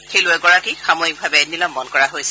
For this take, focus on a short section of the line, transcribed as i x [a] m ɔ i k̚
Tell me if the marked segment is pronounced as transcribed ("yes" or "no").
yes